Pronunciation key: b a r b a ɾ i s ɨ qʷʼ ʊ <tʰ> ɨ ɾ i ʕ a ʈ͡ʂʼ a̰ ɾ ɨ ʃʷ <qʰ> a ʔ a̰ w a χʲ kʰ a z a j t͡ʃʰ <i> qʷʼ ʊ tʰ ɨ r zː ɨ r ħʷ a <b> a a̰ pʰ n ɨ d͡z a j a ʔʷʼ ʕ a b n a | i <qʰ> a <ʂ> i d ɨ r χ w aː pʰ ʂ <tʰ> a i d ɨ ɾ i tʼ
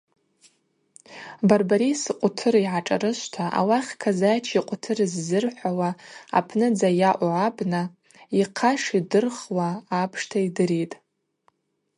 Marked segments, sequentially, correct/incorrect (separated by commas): correct, incorrect, correct, incorrect, correct, correct, correct